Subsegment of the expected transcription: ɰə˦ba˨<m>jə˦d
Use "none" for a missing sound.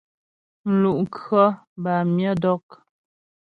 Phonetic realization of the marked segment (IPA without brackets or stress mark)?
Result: m